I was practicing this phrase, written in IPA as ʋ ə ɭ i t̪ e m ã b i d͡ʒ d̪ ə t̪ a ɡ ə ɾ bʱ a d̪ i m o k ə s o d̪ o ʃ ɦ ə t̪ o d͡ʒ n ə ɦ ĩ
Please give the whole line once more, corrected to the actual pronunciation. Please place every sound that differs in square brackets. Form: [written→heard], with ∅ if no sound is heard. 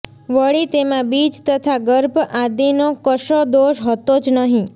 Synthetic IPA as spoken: ʋ ə ɭ i t̪ e m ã b i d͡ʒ [d̪→t̪] ə [t̪→t̪ʰ] a ɡ ə ɾ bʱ a d̪ i [m→n] o k ə [s→ʃ] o d̪ o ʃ ɦ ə t̪ o d͡ʒ n ə ɦ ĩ